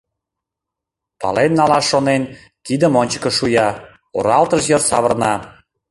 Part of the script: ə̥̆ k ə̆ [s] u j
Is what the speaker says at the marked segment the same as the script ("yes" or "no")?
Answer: no